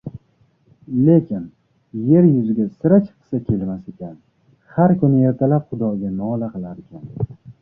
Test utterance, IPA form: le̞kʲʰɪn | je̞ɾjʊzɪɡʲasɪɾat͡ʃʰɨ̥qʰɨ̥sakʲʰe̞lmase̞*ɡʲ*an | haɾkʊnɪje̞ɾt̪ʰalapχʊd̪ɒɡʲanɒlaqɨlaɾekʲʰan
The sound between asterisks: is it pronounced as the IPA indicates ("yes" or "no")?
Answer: no